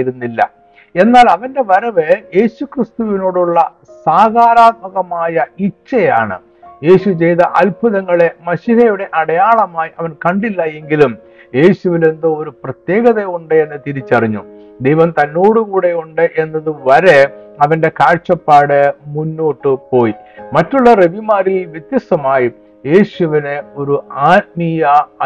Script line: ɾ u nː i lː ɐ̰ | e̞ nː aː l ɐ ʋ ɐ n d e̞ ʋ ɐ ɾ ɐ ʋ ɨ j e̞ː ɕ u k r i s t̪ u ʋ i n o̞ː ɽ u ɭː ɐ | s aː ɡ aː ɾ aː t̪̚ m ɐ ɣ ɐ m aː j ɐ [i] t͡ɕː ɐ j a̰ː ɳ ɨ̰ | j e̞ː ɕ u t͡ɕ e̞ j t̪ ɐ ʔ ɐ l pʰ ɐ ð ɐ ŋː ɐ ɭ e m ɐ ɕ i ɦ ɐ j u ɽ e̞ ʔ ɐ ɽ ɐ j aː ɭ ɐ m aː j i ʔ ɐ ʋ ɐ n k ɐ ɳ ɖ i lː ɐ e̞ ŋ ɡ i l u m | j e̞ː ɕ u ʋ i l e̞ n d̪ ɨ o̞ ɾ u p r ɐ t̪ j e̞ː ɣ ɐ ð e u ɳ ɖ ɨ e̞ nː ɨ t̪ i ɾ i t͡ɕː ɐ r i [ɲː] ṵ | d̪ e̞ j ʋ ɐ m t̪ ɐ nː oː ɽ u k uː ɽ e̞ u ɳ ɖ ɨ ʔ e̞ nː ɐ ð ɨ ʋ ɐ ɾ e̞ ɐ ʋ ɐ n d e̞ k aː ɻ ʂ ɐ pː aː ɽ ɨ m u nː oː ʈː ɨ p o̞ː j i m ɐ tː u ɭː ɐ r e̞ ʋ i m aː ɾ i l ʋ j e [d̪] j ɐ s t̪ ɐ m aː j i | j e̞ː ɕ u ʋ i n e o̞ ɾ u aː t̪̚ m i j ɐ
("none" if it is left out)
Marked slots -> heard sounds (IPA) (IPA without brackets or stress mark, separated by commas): i, ɲː, t̪